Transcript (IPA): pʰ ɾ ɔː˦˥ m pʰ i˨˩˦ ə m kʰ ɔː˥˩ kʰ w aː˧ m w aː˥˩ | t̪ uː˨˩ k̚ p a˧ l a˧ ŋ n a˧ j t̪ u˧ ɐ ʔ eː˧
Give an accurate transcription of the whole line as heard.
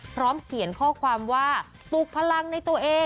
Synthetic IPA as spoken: pʰ ɾ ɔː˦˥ m kʰ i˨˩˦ ə n kʰ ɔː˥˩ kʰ w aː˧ m w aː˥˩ | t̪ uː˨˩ k̚ pʰ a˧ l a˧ ŋ n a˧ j t̪ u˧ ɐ ʔ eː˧